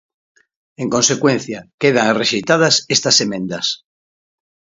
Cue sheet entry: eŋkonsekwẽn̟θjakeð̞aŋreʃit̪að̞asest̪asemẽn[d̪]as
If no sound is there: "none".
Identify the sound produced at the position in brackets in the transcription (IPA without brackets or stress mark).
d̪